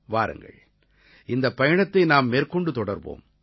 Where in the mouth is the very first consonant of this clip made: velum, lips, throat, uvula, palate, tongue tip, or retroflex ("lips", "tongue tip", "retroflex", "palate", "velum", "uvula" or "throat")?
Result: lips